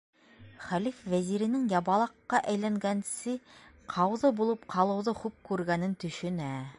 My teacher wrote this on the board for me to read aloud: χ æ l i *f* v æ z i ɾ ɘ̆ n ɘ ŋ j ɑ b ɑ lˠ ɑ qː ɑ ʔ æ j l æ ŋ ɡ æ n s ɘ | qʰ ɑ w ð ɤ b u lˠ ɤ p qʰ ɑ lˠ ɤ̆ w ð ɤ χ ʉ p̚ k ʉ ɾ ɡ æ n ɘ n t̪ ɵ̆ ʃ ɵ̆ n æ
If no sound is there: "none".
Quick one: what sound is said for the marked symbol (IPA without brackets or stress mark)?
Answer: f